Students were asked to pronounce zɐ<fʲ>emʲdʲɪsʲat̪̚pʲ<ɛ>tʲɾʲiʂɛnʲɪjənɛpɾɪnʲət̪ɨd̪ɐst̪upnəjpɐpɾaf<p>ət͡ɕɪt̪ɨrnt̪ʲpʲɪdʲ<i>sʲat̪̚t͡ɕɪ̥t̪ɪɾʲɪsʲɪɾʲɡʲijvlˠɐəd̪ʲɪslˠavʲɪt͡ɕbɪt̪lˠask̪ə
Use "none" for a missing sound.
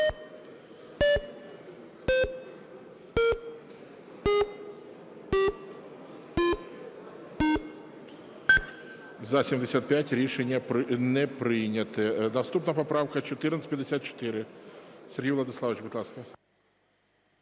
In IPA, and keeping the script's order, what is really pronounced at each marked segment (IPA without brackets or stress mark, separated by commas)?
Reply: sʲ, æ, k, ɪ